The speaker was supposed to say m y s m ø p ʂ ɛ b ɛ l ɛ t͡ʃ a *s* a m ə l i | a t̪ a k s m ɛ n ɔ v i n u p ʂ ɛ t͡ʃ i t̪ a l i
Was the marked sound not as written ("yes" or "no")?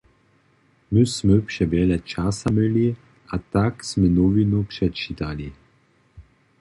no